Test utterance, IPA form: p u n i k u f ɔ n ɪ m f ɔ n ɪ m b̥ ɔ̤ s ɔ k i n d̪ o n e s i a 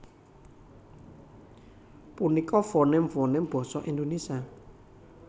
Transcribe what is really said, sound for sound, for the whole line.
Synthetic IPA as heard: p u n i k ɔ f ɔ n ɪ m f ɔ n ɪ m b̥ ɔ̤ s ɔ ʔ i n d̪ o n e s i a